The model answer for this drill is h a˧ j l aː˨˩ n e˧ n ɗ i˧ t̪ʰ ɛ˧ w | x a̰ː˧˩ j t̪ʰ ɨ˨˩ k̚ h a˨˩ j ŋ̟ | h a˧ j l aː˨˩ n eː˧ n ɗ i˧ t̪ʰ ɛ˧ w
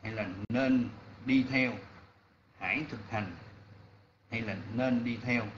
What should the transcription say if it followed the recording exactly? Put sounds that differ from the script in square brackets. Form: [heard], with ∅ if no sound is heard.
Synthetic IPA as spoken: h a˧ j l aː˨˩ n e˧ n ɗ i˧ t̪ʰ ɛ˧ w | [h] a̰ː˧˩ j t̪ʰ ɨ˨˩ k̚ h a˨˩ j ŋ̟ | h a˧ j l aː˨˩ n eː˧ n ɗ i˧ t̪ʰ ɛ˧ w